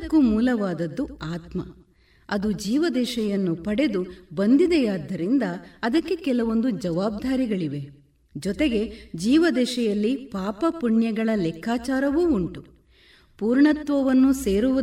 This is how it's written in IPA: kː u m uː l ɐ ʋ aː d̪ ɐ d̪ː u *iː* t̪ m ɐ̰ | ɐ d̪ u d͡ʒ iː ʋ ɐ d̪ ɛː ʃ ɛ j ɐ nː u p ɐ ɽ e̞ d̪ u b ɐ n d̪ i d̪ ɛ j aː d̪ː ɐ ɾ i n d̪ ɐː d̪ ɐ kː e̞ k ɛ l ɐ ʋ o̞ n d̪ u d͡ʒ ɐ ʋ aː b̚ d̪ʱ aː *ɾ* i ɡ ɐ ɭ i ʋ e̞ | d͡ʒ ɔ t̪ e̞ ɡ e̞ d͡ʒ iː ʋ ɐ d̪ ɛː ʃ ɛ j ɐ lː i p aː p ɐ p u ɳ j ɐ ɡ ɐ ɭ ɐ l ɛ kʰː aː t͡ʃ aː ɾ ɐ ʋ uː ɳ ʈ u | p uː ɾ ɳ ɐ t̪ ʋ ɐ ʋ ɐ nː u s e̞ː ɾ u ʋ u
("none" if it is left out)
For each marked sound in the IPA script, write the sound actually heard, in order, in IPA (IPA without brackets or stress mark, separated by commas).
aː, ɾ